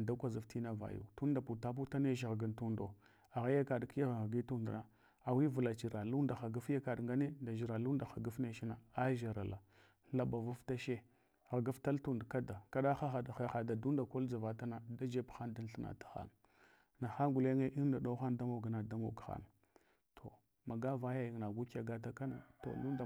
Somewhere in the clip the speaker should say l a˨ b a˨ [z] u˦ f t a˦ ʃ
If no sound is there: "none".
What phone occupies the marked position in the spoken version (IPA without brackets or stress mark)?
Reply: v